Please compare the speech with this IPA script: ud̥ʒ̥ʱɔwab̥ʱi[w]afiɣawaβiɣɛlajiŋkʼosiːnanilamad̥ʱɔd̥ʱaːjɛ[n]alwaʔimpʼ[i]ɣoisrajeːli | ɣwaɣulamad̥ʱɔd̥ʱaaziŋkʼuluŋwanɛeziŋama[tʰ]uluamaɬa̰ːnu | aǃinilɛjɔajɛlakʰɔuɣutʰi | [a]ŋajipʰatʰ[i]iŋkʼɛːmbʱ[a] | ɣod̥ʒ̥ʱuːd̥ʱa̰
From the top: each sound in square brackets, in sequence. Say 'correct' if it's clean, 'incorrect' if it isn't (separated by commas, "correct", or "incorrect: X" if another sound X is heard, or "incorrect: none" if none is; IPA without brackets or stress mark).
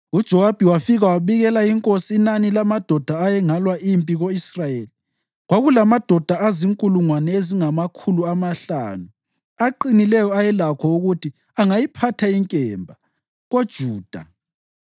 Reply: correct, incorrect: ŋ, correct, incorrect: kʰ, correct, incorrect: a, correct